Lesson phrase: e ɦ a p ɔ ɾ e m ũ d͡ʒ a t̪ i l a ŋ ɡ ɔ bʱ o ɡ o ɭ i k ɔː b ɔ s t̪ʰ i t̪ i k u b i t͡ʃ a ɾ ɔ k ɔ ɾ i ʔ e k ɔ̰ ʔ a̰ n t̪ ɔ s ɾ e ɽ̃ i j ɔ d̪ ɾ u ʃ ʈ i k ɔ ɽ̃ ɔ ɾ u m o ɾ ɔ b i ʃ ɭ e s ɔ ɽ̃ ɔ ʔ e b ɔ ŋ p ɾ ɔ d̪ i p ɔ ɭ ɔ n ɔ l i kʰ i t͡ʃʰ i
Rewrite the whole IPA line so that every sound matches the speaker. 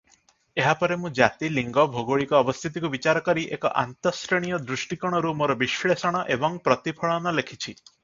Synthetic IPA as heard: e ɦ a p ɔ ɾ e m ũ d͡ʒ a t̪ i l i ŋ ɡ ɔ bʱ o ɡ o ɭ i k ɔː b ɔ s t̪ʰ i t̪ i k u b i t͡ʃ a ɾ ɔ k ɔ ɾ i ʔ e k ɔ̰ ʔ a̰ n t̪ ɔ s ɾ e ɽ̃ i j ɔ d̪ ɾ u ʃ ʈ i k ɔ ɽ̃ ɔ ɾ u m o ɾ ɔ b i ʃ ɭ e s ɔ ɽ̃ ɔ ʔ e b ɔ ŋ p ɾ ɔ t̪ i pʰ ɔ ɭ ɔ n ɔ l e kʰ i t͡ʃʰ i